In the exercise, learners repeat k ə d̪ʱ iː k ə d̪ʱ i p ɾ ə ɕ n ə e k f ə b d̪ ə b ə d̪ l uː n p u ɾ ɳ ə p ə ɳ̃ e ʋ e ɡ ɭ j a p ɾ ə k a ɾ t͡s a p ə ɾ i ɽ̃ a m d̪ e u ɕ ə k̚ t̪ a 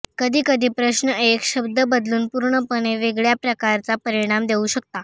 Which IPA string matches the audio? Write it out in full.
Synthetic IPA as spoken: k ə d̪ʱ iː k ə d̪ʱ iː p ɾ ə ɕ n ə e k ɕ ə b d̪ ə b ə d̪ l uː n p u ɾ ɳ ə p ə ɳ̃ e ʋ e ɡ ɭ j a p ɾ ə k a ɾ t͡s a p ə ɾ i ɽ̃ a m d̪ e u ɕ ə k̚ t̪ a